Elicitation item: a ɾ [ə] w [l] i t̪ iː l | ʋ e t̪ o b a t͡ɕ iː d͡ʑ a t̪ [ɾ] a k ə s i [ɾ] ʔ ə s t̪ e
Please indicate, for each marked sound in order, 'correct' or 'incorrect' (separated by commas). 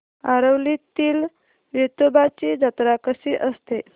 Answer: correct, correct, correct, incorrect